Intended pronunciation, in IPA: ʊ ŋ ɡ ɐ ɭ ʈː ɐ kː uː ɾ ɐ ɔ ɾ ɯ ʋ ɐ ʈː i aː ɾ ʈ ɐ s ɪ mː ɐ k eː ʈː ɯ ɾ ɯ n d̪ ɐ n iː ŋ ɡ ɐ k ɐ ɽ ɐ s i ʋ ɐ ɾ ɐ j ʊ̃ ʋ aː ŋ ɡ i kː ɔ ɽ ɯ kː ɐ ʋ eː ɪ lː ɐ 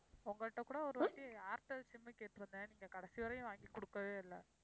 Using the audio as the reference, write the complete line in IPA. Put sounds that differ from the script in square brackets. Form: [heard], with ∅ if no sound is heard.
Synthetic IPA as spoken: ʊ ŋ ɡ ɐ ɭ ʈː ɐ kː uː [ɽ] ɐ ɔ ɾ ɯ ʋ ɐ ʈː i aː ɾ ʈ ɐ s ɪ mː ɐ k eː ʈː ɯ ɾ ɯ n d̪ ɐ n iː ŋ ɡ ɐ k ɐ ɽ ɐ s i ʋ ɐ ɾ ɐ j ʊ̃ ʋ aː ŋ ɡ i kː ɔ ɽ ɯ kː ɐ ʋ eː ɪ lː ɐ

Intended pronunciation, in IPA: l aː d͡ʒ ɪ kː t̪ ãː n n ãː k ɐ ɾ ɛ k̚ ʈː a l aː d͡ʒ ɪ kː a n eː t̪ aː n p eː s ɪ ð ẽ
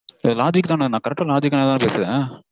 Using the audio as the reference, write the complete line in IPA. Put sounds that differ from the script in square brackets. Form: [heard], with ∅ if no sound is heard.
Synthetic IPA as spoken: l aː d͡ʒ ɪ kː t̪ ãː n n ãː k ɐ ɾ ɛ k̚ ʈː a l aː d͡ʒ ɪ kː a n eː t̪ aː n p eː s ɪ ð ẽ

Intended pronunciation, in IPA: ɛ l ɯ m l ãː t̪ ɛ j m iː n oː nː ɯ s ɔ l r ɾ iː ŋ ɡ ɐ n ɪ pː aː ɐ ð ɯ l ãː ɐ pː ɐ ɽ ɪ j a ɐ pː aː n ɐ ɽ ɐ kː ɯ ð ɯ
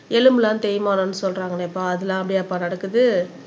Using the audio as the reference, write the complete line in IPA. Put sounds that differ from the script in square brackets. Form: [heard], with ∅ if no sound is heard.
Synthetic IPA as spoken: ɛ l ɯ m l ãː t̪ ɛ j m [aː] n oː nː ɯ s ɔ l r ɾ [aː] ŋ ɡ ɐ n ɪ pː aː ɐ ð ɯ l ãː ɐ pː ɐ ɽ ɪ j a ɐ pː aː n ɐ ɽ ɐ kː ɯ ð ɯ

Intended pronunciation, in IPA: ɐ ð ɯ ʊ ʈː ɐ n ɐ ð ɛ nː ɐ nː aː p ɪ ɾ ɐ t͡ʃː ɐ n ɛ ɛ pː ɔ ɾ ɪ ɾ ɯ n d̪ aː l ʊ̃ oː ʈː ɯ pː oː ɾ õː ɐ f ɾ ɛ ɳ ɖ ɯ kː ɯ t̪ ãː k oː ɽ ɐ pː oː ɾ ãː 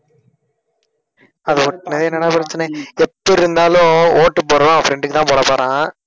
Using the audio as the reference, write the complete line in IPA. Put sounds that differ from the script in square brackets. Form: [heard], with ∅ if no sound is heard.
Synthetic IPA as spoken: ɐ ð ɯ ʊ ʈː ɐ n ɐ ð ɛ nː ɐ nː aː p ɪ ɾ ɐ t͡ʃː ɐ n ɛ ɛ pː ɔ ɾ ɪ ɾ ɯ n d̪ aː l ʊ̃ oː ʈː ɯ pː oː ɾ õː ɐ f ɾ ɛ ɳ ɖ ɯ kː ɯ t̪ ãː [p] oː ɽ ɐ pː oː ɾ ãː

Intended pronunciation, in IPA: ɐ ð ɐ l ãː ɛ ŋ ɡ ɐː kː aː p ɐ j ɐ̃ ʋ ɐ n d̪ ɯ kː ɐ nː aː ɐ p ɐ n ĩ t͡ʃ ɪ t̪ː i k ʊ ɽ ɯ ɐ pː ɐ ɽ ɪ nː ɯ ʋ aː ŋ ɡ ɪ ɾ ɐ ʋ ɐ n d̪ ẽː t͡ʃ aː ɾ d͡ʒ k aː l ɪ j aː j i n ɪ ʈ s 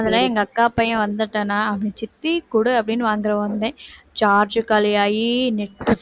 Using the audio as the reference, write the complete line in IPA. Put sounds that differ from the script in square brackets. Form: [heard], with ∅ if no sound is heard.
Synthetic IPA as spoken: ɐ ð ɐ l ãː ɛ ŋ ɡ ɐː kː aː p ɐ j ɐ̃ ʋ ɐ n d̪ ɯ [ʈː] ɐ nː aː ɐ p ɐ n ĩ t͡ʃ ɪ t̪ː i k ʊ ɽ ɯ ɐ pː ɐ ɽ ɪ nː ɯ ʋ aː ŋ ɡ ɪ ɾ ɐ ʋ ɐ n d̪ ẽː t͡ʃ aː ɾ d͡ʒ k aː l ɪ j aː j i n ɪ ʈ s

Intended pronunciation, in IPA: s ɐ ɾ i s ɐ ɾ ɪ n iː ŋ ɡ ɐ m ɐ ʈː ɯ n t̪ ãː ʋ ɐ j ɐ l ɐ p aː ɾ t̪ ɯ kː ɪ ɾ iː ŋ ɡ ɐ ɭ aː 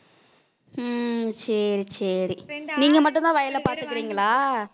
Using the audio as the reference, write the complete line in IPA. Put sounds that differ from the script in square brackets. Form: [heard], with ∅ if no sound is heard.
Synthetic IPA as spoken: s ɐ ɾ i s ɐ ɾ [i] n iː ŋ ɡ ɐ m ɐ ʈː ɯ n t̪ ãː ʋ ɐ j ɐ l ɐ p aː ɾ t̪ ɯ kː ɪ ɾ iː ŋ ɡ ɐ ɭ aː

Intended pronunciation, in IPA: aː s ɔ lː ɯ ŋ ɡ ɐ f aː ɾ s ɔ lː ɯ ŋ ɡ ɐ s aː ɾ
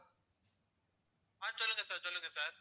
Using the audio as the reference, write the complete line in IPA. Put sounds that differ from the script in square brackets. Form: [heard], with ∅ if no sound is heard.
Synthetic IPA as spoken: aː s ɔ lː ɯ ŋ ɡ ɐ [s] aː ɾ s ɔ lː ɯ ŋ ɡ ɐ s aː ɾ

